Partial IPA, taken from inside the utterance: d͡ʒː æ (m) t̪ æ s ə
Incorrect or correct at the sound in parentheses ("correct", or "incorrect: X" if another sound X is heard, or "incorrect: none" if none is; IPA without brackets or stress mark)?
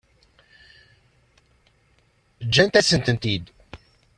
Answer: incorrect: n